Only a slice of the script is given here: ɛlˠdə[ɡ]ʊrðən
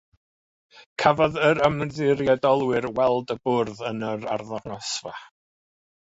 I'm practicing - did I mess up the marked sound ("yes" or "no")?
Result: yes